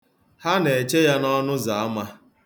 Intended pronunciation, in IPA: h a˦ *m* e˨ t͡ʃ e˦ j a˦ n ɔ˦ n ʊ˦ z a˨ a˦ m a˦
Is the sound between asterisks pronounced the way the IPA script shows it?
no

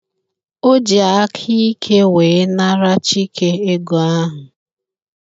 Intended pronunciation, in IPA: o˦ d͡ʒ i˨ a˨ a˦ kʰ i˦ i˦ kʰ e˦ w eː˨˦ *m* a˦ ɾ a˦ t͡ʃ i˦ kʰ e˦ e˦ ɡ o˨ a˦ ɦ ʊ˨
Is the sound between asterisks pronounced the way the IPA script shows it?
no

